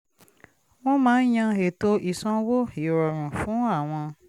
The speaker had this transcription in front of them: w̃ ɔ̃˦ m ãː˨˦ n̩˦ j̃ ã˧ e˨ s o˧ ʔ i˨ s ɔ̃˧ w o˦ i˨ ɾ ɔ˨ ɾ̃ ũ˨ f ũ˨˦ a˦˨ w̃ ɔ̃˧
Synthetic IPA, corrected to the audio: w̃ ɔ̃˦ m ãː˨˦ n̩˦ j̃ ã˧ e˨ t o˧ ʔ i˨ s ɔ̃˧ w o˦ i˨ ɾ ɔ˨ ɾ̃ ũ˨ f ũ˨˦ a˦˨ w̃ ɔ̃˧